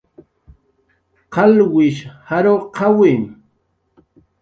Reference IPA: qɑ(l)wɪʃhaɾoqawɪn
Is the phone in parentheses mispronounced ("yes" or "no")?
no